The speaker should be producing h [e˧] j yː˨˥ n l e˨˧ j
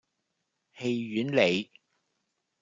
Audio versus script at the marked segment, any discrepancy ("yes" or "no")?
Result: no